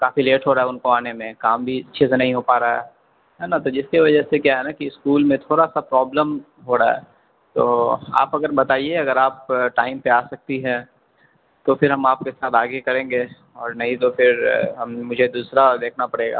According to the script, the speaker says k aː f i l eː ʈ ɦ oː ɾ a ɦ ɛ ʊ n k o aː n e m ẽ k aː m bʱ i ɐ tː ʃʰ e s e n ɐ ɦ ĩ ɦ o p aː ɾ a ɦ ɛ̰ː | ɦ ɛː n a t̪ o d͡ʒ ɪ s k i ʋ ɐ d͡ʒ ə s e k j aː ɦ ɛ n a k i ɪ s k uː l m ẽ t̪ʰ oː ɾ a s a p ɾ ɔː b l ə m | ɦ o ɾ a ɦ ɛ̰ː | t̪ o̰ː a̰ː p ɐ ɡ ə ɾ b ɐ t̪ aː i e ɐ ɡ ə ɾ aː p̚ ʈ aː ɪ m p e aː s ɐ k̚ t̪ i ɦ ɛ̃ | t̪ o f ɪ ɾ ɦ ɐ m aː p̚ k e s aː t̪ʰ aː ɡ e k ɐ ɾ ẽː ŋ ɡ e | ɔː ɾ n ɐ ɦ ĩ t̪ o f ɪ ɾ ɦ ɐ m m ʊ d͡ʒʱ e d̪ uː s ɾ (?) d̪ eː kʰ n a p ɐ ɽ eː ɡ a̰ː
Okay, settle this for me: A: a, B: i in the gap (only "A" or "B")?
A